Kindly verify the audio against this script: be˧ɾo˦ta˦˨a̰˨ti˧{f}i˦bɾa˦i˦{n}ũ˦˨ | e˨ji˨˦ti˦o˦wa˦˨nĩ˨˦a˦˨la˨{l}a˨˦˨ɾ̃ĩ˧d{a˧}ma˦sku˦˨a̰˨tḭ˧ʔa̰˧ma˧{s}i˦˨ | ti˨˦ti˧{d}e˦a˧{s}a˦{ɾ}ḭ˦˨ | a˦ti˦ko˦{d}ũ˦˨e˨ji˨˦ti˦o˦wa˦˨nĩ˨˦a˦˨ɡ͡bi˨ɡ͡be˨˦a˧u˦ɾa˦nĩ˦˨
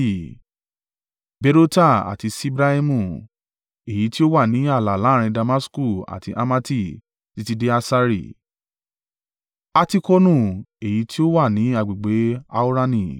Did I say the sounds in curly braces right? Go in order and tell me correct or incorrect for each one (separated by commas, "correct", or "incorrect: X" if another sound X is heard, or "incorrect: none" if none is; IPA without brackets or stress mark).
incorrect: s, incorrect: m, correct, correct, incorrect: t, correct, correct, correct, incorrect: n